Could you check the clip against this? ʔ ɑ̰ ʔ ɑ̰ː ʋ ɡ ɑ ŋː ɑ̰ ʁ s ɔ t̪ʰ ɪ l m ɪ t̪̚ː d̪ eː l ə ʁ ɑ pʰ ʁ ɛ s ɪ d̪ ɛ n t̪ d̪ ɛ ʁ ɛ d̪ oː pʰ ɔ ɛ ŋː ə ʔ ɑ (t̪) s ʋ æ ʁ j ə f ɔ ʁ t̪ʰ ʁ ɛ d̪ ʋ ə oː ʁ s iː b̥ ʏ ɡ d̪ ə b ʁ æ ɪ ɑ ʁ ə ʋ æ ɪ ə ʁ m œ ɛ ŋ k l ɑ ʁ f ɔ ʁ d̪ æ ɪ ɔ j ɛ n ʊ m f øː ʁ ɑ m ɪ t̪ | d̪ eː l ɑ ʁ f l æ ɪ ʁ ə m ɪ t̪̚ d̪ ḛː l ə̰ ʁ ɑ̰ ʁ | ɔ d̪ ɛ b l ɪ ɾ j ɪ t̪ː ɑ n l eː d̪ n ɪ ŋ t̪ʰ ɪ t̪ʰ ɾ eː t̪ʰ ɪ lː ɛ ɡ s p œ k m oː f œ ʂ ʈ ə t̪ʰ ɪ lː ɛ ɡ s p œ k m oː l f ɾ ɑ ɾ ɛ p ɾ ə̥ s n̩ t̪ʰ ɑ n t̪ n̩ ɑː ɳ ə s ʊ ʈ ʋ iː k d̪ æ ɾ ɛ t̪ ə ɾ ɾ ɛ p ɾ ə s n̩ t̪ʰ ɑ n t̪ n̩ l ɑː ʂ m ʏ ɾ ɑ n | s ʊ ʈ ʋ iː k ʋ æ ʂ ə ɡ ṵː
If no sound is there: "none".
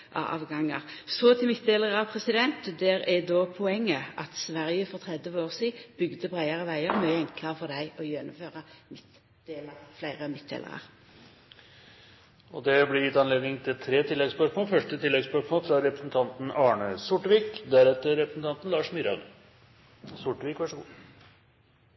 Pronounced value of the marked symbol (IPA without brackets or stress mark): t̪